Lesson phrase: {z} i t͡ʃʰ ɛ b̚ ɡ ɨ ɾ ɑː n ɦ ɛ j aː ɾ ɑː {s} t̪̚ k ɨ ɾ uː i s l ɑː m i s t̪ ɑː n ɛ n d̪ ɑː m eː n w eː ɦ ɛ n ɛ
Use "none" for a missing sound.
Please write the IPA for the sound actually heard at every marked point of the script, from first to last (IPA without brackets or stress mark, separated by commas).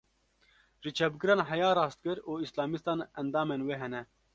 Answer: ʒ, s